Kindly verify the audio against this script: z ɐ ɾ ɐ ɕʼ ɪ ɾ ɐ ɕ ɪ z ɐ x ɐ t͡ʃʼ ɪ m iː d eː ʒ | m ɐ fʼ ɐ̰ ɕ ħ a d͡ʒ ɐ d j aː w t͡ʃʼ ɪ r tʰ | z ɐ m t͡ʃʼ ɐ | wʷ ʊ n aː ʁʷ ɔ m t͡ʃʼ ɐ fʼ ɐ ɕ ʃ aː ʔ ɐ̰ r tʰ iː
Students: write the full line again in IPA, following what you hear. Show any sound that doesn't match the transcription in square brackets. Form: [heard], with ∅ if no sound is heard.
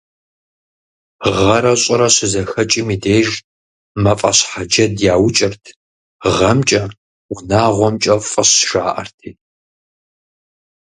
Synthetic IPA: [ʁ] ɐ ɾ ɐ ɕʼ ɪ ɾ ɐ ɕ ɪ z ɐ x ɐ t͡ʃʼ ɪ m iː d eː ʒ | m ɐ fʼ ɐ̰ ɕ ħ a d͡ʒ ɐ d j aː w t͡ʃʼ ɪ r tʰ | [ʁ] ɐ m t͡ʃʼ ɐ | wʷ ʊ n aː ʁʷ ɔ m t͡ʃʼ ɐ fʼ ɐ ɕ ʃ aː ʔ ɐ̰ r tʰ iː